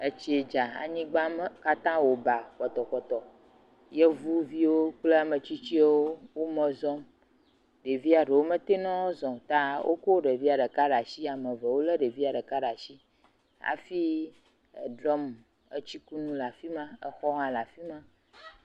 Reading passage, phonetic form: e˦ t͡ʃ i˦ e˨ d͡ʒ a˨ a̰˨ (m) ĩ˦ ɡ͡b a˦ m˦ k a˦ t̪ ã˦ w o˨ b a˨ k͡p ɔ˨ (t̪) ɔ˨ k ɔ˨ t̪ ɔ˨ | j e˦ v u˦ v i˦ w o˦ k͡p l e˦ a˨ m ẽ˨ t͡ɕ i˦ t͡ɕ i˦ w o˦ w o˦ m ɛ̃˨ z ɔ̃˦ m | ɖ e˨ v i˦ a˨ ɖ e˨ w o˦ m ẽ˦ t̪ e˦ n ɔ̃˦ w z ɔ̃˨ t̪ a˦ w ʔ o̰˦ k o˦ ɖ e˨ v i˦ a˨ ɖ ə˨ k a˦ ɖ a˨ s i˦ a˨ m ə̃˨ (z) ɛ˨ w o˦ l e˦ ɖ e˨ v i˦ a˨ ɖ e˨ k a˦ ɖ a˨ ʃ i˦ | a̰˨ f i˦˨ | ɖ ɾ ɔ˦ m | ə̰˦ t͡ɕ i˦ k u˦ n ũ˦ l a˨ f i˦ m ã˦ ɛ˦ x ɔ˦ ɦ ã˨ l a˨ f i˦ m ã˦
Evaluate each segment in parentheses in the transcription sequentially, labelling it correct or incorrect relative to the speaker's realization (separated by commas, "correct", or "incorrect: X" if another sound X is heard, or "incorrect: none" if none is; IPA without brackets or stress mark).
incorrect: ɲ, correct, incorrect: v